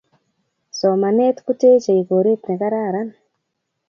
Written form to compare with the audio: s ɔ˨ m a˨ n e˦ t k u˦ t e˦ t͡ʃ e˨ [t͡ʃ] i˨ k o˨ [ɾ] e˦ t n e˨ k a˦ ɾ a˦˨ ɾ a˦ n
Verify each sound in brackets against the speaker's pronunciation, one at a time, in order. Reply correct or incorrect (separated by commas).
incorrect, correct